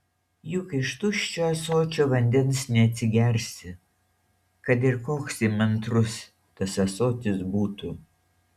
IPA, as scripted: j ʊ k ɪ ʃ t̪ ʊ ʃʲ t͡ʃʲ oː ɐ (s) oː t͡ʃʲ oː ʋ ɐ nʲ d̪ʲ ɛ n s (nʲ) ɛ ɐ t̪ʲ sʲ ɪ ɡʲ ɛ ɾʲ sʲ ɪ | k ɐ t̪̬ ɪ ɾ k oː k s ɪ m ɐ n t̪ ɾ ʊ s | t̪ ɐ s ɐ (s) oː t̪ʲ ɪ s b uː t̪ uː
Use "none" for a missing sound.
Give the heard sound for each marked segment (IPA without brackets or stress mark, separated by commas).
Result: s, nʲ, s